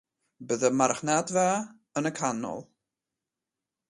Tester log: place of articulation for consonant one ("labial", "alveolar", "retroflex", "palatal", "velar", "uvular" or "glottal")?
labial